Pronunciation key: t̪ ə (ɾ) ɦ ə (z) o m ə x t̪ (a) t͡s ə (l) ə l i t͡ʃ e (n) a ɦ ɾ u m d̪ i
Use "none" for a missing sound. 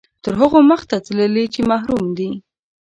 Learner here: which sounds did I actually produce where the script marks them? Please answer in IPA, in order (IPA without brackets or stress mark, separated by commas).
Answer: ɾ, ɣ, a, l, m